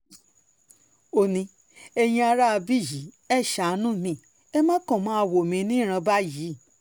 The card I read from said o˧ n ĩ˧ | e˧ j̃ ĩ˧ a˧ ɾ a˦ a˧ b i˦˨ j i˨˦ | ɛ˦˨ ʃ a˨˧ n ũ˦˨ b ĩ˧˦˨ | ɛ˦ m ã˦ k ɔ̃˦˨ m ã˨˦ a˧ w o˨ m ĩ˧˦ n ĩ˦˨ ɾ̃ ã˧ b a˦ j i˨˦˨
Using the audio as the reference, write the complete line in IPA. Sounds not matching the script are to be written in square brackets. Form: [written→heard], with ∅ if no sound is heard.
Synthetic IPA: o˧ n ĩ˧ | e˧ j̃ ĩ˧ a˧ ɾ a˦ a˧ b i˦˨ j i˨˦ | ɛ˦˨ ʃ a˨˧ n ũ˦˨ [b→m] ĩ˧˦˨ | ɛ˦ m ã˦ k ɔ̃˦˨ m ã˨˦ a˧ w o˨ m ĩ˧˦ n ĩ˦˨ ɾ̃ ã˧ b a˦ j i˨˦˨